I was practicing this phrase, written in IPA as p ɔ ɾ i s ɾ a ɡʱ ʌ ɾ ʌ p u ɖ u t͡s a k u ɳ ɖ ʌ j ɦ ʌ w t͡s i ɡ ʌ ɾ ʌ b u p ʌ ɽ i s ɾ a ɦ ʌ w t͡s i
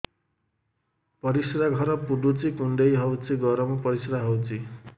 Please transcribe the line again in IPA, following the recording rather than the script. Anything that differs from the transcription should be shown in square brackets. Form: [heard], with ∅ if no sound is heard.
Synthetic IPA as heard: p [ʌ] ɾ i s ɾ a ɡʱ ʌ ɾ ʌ p u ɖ u t͡s [i] k u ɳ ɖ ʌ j ɦ ʌ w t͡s i ɡ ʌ ɾ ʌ [m] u p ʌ [ɾ] i s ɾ a ɦ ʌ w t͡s i